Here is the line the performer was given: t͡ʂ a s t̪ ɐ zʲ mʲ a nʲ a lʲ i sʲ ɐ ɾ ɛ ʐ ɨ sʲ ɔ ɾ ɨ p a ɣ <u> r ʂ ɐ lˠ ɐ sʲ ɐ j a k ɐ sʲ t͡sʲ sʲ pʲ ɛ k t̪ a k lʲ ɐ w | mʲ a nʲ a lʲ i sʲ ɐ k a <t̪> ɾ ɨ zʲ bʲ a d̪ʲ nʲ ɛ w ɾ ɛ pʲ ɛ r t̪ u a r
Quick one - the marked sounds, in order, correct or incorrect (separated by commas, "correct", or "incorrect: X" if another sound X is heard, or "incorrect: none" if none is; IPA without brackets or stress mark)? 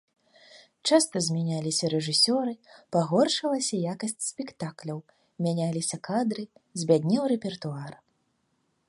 incorrect: ɔ, incorrect: d̪